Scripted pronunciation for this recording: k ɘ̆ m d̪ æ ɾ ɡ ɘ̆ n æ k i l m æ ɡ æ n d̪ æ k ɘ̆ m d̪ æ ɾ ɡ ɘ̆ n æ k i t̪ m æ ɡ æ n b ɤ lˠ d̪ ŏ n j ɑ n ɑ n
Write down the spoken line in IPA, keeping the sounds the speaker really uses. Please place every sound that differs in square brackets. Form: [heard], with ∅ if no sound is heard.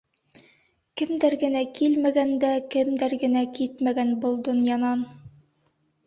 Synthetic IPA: k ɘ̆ m d̪ æ ɾ ɡ ɘ̆ n æ k i l m æ ɡ æ n d̪ æ k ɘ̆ m d̪ æ ɾ ɡ ɘ̆ n æ k i t̪ m æ ɡ æ n b ɤ lˠ d̪ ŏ n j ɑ n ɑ n